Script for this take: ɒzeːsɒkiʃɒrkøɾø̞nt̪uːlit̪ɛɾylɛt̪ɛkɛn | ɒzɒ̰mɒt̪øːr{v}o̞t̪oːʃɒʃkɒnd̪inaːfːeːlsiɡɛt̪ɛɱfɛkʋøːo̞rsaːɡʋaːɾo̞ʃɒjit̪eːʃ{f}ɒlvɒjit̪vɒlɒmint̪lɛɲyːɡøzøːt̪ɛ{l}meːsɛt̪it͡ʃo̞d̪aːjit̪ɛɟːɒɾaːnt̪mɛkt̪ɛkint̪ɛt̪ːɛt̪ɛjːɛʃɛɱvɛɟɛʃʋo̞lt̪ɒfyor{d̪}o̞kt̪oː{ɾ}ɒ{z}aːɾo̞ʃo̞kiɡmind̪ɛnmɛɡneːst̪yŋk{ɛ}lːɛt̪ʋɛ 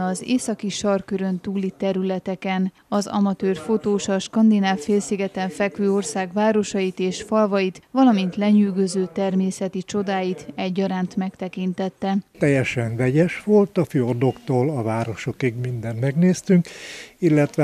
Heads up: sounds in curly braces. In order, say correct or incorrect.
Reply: incorrect: f, correct, incorrect: r, correct, incorrect: l, incorrect: v, incorrect: i

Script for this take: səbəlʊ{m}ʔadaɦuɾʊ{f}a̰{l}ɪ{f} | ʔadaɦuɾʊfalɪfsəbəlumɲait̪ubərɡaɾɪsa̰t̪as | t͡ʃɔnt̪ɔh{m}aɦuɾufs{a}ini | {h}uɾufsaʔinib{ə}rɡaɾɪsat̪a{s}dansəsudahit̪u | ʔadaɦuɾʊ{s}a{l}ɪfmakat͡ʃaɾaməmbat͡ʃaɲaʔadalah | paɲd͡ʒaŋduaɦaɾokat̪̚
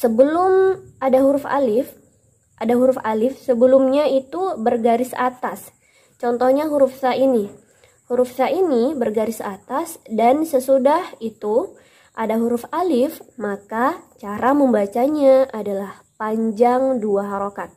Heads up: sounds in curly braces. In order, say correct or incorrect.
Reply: correct, correct, correct, correct, incorrect: ɲ, correct, correct, correct, correct, incorrect: f, correct

